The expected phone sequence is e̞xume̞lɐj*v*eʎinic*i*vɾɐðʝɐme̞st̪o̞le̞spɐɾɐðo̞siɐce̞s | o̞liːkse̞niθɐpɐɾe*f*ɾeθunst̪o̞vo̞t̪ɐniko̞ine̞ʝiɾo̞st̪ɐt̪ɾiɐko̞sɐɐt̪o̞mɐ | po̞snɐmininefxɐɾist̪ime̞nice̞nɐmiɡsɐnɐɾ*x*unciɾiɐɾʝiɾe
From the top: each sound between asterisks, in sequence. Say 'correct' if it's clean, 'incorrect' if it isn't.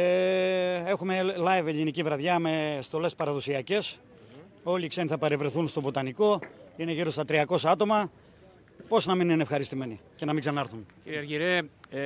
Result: correct, correct, incorrect: v, incorrect: θ

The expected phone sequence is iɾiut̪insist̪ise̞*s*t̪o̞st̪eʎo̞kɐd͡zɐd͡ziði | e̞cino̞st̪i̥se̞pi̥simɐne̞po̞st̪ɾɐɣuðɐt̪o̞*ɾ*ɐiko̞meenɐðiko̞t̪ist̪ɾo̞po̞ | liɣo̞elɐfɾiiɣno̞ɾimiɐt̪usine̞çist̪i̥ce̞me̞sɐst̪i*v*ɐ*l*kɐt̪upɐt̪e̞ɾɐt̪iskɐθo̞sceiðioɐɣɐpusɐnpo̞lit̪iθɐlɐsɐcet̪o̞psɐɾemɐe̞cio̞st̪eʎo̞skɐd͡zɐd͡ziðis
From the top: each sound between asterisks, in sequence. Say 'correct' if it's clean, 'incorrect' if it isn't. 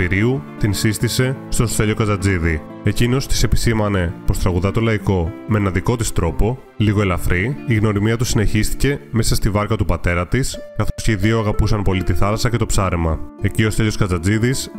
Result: correct, incorrect: l, correct, incorrect: ɾ

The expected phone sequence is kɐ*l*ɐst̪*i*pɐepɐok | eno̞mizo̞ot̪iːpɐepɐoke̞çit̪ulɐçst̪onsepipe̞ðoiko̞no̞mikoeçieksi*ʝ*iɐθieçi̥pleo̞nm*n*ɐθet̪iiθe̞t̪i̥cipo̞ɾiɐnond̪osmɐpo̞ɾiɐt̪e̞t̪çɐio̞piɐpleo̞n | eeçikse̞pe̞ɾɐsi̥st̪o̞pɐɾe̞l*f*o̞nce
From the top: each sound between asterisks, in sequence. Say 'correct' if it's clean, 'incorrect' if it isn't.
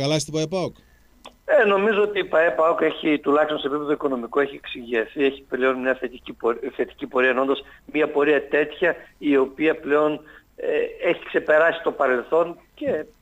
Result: correct, correct, correct, incorrect: ɲ, incorrect: θ

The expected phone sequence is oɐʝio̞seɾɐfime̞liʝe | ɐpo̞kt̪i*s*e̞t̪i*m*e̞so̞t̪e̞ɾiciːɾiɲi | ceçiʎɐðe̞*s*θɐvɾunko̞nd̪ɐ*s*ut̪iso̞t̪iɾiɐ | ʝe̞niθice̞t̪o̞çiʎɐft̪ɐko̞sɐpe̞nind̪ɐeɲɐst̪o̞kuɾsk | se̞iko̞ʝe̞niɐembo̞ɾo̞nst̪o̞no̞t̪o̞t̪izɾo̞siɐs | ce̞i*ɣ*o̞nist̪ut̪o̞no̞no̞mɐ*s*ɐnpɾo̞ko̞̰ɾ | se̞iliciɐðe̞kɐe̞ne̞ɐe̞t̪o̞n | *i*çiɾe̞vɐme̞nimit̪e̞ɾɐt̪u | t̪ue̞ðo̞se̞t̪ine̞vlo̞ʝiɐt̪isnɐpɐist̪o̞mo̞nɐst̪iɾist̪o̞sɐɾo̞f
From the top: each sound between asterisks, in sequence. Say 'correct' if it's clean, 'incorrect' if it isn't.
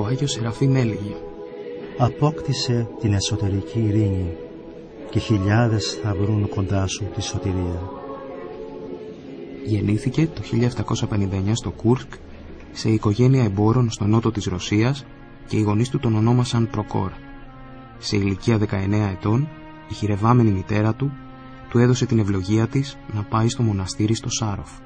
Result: correct, incorrect: n, correct, correct, correct, correct, correct

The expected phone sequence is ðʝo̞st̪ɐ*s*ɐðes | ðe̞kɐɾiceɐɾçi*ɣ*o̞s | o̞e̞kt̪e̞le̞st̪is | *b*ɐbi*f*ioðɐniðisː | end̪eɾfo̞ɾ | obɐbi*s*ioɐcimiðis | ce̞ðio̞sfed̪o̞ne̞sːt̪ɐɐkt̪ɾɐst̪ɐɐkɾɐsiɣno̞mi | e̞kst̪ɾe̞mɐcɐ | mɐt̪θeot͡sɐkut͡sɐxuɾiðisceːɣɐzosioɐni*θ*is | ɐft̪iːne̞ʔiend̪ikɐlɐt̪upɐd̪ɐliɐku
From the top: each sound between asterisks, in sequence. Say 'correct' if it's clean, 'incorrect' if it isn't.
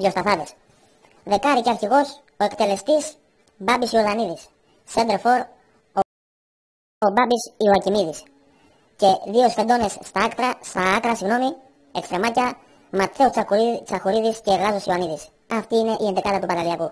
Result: incorrect: θ, correct, correct, incorrect: s, correct, incorrect: ð

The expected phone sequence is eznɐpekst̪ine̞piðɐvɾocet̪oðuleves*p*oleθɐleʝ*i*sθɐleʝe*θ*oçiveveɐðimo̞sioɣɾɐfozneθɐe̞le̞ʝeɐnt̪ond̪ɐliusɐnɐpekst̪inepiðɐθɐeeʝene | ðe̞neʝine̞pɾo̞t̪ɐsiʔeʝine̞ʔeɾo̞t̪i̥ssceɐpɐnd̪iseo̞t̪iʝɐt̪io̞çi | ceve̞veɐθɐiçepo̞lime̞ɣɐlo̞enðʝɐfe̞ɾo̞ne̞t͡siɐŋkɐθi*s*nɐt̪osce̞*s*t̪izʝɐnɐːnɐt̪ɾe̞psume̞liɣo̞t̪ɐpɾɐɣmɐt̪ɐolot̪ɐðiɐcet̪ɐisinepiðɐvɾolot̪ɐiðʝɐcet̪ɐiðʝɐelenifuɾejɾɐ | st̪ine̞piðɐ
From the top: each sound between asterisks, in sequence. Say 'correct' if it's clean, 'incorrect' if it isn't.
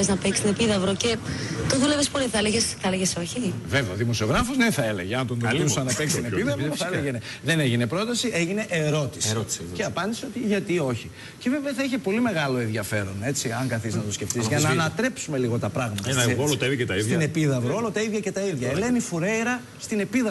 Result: correct, incorrect: e, incorrect: s, incorrect: z, incorrect: f

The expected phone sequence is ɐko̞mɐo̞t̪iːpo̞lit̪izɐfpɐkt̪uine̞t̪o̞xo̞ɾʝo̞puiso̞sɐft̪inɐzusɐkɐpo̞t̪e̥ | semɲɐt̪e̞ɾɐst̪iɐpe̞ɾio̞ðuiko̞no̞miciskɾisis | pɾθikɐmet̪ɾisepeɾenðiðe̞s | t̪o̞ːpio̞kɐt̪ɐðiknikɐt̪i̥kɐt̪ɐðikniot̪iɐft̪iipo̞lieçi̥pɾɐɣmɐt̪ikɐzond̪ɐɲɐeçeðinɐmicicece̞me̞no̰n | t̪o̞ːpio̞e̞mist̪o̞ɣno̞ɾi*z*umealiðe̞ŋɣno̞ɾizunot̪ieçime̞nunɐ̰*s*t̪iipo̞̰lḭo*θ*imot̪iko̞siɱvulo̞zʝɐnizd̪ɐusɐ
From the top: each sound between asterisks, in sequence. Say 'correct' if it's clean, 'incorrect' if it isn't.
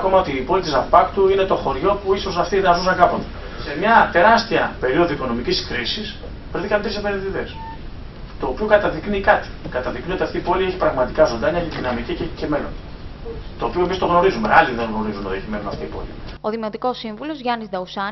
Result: correct, incorrect: f, incorrect: ð

